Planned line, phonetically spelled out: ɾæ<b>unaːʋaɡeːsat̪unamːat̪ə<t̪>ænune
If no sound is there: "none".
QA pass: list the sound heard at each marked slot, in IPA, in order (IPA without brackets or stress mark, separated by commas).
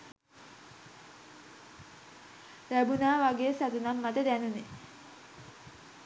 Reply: b, d̪